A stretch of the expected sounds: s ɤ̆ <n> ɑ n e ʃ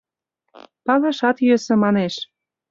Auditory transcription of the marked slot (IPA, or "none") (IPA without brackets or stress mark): m